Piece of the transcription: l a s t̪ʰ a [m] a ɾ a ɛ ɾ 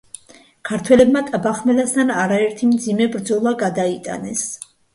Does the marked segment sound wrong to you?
yes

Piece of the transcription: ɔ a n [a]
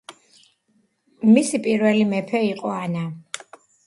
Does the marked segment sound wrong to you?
no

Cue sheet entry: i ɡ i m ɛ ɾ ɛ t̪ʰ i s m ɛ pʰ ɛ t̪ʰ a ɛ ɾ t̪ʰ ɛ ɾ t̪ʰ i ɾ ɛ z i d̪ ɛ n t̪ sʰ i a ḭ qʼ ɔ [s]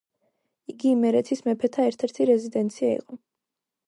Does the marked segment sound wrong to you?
yes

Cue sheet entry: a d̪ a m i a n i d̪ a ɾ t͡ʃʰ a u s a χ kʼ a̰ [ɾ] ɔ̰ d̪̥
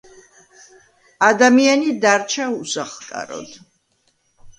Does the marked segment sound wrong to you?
no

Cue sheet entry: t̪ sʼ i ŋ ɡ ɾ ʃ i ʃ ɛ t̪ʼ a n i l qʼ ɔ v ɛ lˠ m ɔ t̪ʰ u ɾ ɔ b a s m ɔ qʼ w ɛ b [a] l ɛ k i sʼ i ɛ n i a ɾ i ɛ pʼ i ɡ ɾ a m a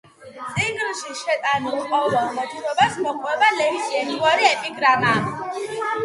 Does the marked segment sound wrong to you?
no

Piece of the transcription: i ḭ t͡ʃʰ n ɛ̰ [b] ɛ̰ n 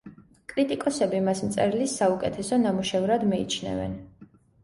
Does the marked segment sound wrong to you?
yes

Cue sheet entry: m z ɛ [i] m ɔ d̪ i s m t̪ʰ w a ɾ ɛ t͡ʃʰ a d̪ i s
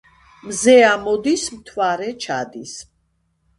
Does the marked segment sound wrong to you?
yes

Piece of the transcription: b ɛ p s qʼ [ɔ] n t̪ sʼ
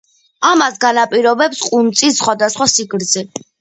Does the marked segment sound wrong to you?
yes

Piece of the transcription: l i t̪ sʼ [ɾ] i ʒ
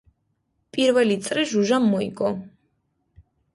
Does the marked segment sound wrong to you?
no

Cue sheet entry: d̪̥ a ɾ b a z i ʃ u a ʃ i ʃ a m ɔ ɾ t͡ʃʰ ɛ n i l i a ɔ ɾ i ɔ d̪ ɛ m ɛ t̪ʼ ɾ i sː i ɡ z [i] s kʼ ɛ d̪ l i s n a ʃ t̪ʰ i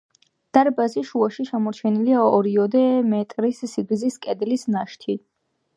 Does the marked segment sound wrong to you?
no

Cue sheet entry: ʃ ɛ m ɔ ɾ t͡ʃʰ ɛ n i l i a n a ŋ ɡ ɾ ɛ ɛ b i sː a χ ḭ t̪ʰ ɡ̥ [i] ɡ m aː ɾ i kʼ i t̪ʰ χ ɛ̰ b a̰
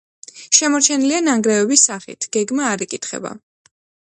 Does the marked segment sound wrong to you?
yes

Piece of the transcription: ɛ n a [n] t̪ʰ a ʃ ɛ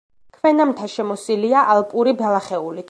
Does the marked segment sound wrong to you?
yes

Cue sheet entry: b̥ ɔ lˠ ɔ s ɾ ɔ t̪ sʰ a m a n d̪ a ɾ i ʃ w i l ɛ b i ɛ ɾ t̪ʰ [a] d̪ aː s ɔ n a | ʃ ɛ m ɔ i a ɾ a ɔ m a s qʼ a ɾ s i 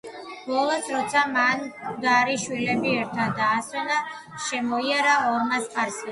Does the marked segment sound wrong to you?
no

